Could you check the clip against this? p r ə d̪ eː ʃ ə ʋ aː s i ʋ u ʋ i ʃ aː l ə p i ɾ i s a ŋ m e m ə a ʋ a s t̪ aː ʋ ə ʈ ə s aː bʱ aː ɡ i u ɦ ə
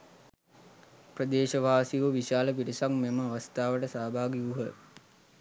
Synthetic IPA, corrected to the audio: p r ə d̪ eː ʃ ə ʋ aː s i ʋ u ʋ i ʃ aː l ə p i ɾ i s a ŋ m e m ə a ʋ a s t̪ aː ʋ ə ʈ ə s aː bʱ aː ɡ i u ɦ ə